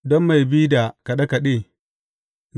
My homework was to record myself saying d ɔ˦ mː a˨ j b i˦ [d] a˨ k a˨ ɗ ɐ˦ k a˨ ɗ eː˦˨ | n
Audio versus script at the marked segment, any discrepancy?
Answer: no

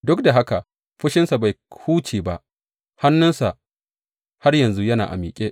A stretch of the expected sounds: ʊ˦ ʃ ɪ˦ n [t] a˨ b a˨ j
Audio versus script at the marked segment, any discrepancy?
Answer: yes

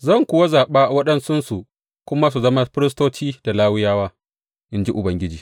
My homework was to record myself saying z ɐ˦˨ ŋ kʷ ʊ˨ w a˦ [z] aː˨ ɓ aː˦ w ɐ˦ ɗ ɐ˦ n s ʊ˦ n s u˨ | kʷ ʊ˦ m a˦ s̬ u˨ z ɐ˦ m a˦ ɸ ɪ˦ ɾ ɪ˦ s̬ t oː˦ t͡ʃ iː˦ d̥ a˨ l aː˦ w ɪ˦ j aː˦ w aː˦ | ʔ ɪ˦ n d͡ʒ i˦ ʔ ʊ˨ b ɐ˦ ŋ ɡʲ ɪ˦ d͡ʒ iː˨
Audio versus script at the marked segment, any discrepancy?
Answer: no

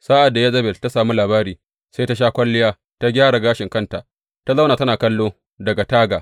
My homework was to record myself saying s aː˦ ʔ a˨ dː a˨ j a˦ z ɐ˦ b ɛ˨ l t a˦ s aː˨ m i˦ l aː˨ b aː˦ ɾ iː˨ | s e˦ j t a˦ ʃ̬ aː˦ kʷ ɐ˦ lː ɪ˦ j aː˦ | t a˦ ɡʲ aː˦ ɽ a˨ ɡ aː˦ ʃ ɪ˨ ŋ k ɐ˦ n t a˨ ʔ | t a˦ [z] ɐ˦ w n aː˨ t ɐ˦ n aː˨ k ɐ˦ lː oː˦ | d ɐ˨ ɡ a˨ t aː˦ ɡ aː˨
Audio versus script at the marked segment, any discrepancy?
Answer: no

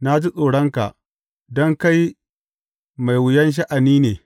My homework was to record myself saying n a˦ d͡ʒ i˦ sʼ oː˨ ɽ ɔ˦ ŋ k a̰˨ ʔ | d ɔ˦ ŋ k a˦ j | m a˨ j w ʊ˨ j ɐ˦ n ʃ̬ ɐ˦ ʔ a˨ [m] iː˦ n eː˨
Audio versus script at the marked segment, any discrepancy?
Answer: yes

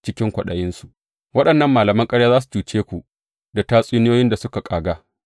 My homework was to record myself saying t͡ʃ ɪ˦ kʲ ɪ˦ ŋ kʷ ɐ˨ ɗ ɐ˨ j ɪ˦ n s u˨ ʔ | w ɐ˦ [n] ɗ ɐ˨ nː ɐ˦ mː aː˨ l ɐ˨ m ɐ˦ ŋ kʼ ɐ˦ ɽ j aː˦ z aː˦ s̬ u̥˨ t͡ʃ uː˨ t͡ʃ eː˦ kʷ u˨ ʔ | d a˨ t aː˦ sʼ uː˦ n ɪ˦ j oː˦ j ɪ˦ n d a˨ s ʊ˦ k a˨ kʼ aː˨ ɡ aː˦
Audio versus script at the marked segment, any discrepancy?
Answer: yes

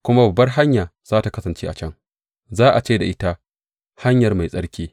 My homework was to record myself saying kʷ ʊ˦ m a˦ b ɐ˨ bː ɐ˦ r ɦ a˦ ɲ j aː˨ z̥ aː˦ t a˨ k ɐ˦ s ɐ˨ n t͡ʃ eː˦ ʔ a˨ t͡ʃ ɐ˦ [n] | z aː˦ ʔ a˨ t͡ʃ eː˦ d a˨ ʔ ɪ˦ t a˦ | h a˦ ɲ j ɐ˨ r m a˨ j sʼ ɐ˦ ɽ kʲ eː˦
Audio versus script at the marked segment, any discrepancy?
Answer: yes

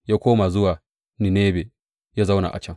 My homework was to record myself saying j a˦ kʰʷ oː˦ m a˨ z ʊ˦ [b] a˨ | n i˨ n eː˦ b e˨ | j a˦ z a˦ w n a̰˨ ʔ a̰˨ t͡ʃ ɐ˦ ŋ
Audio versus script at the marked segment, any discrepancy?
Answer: yes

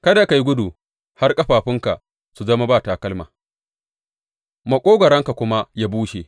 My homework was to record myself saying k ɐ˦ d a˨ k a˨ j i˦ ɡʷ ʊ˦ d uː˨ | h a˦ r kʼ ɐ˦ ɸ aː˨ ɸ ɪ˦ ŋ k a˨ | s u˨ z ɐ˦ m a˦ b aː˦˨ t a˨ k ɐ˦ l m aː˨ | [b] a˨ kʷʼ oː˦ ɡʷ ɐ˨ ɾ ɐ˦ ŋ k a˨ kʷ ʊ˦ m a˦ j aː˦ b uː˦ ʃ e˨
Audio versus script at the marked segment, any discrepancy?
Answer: yes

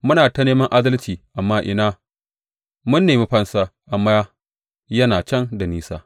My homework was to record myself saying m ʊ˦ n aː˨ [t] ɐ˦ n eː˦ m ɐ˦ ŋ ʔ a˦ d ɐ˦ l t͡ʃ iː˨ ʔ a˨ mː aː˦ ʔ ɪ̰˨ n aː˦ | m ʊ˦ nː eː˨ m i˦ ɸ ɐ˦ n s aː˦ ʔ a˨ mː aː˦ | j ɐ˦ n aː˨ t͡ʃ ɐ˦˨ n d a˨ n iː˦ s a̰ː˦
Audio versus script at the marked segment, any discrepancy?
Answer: no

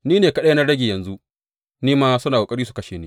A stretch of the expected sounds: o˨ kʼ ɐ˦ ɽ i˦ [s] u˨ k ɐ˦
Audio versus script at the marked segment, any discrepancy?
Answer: no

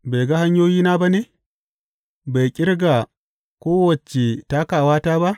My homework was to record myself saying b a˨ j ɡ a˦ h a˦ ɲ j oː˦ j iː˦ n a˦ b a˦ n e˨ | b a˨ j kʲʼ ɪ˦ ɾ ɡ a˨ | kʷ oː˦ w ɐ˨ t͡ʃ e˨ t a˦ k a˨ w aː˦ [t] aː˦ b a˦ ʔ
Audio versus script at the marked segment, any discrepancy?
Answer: no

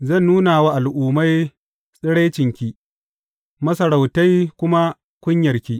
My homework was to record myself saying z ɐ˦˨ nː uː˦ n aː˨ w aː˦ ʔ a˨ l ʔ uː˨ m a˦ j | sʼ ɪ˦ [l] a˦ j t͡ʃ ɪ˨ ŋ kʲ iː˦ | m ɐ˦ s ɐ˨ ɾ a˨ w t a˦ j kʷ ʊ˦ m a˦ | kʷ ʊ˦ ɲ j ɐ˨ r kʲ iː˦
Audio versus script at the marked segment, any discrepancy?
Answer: yes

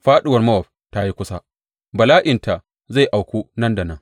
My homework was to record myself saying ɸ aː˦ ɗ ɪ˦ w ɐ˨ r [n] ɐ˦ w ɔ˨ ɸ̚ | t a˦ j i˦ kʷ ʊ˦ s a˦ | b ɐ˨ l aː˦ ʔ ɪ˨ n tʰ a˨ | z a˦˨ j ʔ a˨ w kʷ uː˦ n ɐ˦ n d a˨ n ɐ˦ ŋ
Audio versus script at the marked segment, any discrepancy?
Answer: yes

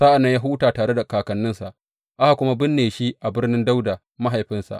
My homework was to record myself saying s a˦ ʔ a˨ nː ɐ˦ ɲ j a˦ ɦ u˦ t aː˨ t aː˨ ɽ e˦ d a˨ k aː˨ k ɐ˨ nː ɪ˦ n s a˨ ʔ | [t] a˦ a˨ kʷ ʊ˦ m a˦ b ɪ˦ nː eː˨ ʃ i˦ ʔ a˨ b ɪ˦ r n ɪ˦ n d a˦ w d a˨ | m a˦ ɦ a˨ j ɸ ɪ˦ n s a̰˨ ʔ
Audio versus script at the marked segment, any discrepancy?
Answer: yes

